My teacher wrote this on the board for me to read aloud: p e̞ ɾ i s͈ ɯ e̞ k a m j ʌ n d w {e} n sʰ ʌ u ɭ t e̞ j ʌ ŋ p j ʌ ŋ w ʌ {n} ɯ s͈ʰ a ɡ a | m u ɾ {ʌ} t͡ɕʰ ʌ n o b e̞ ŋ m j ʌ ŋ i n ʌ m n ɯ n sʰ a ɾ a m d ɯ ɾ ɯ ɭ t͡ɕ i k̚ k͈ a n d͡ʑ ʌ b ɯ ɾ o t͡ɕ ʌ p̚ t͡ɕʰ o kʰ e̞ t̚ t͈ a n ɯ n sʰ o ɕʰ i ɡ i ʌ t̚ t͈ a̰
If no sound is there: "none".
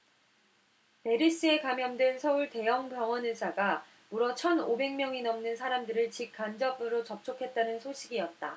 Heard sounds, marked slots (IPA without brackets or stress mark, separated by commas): e, n, ʌ